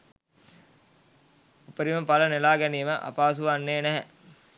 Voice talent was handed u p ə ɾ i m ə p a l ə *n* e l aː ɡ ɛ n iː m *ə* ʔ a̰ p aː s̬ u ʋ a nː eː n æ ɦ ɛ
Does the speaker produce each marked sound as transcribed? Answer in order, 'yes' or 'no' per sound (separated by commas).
yes, yes